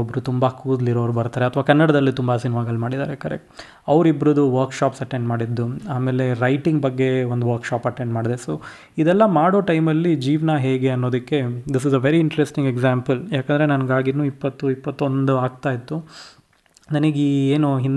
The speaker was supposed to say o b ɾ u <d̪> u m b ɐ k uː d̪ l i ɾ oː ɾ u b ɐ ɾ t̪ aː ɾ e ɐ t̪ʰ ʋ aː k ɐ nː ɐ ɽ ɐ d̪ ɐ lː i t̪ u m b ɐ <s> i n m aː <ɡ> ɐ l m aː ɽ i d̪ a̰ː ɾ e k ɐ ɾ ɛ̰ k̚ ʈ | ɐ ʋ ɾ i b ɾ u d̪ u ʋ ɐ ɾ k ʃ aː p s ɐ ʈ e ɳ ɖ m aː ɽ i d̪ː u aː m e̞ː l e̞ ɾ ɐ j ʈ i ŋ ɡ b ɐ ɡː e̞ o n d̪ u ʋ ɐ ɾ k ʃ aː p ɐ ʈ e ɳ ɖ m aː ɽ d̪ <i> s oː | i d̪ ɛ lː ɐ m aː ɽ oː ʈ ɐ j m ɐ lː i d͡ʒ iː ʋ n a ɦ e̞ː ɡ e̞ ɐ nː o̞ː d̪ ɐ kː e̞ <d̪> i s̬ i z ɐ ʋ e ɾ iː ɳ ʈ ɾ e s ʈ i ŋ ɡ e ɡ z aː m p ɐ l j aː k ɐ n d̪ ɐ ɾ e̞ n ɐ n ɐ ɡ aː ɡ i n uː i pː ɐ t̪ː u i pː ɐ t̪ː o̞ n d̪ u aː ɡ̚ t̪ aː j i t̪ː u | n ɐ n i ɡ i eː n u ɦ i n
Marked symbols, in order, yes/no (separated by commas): no, yes, yes, no, yes